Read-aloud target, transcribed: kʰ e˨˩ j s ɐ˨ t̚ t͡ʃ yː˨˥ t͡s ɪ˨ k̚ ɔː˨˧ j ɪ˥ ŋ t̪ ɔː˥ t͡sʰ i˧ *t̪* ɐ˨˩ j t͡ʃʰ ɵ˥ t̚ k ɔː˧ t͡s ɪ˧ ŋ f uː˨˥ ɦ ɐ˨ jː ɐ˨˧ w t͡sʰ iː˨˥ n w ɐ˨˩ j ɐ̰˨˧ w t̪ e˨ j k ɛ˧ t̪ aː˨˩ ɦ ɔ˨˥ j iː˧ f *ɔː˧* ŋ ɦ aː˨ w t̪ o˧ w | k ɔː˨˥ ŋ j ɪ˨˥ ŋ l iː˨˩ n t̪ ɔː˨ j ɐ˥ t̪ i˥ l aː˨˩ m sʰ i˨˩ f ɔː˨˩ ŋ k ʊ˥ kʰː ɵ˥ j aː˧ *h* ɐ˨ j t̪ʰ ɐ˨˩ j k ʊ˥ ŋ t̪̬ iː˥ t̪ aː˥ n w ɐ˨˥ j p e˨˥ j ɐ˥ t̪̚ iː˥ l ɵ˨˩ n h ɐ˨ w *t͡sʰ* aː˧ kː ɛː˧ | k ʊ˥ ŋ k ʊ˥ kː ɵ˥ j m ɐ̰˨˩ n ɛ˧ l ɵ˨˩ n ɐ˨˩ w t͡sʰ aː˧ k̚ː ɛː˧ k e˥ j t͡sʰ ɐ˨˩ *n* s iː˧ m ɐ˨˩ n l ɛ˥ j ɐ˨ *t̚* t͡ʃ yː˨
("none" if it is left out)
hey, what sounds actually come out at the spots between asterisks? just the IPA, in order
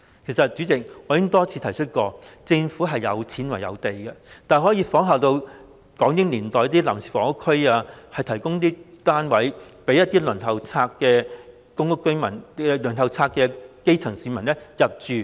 t̪ʰ, ɔː˨˥, h, t͡sʰ, ŋ, p̚

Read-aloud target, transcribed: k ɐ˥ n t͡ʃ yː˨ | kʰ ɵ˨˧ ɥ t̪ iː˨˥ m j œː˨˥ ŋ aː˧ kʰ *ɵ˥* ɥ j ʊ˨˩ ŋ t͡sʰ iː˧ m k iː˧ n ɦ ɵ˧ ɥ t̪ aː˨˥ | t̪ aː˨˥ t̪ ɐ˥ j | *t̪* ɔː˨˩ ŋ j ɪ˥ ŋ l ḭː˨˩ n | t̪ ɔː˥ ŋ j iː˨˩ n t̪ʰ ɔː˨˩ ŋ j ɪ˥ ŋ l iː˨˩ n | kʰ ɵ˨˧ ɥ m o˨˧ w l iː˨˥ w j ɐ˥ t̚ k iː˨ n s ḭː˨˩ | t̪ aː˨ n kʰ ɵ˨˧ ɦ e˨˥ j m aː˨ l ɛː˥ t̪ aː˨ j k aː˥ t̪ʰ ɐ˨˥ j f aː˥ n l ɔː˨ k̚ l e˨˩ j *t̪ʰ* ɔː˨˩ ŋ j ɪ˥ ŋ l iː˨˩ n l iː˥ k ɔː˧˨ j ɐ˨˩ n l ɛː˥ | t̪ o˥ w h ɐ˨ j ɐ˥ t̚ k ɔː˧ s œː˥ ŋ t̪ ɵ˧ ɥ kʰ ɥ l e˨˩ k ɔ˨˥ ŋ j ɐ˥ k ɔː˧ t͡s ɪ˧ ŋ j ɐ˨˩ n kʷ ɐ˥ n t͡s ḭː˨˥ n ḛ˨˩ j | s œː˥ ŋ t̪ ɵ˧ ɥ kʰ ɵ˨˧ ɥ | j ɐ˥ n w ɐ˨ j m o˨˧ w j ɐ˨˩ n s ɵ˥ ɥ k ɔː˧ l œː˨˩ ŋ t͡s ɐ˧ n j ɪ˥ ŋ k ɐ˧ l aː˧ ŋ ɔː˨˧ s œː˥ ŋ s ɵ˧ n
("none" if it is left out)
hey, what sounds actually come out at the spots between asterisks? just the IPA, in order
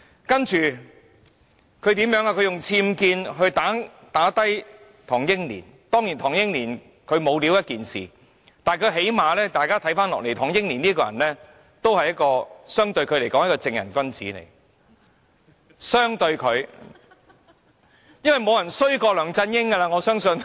ɵ˨˧, t̪ʰ, t̪ʰ

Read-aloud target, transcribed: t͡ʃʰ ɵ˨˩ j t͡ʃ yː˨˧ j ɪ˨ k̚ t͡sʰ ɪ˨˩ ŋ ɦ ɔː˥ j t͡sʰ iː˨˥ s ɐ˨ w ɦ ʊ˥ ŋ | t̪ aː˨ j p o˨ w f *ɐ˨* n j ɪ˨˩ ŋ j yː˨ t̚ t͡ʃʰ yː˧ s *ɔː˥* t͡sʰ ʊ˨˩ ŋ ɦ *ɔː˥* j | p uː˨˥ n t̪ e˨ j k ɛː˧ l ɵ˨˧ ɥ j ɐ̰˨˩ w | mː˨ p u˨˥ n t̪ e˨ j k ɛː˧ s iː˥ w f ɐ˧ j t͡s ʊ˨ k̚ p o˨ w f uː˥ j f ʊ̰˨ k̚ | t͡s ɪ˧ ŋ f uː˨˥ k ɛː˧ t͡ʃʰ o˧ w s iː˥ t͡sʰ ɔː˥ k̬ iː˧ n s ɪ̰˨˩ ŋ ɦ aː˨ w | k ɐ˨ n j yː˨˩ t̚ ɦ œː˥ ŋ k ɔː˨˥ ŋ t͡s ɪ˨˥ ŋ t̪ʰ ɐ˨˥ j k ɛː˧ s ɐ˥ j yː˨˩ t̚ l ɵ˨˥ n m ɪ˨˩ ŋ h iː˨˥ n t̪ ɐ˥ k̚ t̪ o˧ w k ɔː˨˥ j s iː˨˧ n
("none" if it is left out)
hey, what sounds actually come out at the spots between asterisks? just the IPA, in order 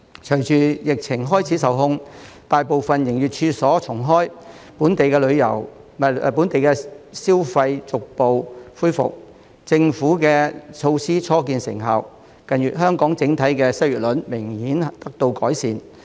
ɐ˨, ɔː˨˥, ɔː˥

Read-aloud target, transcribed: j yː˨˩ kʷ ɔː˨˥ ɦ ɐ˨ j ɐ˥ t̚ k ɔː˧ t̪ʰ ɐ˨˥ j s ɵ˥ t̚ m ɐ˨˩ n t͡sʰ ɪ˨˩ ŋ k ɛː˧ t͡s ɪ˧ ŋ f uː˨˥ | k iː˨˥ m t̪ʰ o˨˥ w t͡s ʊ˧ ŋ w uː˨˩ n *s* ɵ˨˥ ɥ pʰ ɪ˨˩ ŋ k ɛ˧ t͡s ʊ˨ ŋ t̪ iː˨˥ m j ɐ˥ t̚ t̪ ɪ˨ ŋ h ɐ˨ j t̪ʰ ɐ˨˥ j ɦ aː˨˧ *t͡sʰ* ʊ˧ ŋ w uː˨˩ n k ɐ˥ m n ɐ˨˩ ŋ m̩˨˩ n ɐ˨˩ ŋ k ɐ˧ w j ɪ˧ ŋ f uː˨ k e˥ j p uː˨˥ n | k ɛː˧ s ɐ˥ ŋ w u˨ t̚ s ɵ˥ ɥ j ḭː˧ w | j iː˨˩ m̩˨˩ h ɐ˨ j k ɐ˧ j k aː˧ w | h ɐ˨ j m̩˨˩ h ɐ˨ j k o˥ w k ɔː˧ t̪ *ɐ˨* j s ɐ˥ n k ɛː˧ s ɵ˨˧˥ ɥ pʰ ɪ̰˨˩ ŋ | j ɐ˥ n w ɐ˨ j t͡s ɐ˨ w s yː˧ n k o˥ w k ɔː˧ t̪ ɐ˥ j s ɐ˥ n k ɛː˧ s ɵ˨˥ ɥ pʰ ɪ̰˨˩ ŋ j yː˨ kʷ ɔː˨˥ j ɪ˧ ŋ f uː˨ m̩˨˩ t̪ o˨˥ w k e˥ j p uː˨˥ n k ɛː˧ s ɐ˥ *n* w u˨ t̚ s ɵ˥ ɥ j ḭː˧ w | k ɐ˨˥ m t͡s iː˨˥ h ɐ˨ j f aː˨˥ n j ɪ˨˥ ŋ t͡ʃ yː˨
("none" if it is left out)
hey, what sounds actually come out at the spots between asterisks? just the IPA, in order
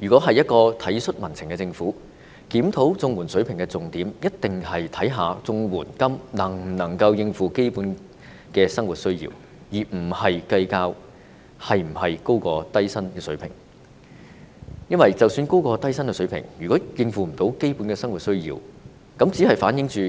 s, t͡s, ɐ˥, ŋ

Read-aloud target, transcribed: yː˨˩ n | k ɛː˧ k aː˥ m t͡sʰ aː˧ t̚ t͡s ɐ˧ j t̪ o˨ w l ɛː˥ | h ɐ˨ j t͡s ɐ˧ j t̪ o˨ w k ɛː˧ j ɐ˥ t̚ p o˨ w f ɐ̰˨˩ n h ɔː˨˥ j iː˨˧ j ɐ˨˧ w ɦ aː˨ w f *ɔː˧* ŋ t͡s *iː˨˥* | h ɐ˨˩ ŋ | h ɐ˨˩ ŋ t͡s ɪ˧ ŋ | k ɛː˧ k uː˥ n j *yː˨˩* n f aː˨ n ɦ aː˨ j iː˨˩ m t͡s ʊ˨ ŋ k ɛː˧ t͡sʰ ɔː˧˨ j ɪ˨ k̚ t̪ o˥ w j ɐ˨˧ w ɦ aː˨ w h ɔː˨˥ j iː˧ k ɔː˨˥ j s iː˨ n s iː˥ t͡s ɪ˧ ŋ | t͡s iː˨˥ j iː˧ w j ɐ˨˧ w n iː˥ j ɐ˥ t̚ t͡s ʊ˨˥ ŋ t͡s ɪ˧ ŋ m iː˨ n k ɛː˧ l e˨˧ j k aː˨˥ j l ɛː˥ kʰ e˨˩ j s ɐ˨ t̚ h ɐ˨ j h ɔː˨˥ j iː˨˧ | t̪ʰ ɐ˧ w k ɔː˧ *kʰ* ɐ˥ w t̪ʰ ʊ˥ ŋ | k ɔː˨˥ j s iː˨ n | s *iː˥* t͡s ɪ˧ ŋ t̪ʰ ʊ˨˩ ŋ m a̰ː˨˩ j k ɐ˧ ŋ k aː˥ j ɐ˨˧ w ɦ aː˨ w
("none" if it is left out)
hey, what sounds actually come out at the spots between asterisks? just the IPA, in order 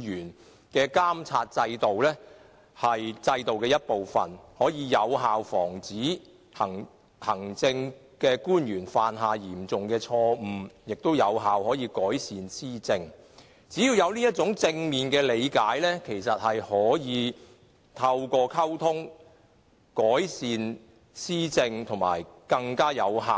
ɔː˨˩, iː˨˥, yː˨˩, kʰ, iː˥

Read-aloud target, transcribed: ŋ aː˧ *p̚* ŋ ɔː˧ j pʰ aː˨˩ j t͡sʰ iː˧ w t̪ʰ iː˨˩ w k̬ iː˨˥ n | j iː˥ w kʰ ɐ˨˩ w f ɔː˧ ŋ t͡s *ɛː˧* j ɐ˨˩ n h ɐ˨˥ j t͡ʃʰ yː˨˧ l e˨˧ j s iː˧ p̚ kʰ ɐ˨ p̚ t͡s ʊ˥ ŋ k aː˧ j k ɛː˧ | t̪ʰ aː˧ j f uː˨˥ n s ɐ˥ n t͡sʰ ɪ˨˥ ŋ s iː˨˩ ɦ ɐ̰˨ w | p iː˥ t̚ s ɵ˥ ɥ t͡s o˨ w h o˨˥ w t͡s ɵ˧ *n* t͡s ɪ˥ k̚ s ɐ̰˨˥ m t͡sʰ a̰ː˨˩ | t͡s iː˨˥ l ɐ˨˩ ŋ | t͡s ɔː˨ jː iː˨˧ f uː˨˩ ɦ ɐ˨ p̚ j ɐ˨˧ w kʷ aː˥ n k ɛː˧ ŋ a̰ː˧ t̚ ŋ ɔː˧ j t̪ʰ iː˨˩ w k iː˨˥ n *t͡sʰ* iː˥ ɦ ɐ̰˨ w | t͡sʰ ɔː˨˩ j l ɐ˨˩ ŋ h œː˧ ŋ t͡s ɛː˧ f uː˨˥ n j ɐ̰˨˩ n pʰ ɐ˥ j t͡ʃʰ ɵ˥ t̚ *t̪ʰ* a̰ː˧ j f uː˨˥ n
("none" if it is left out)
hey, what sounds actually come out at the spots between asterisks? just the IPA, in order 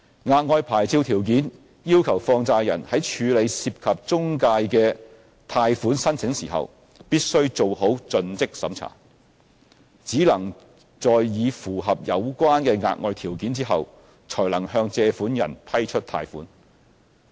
t̚, aː˧, n, t͡s, t̪ʰ

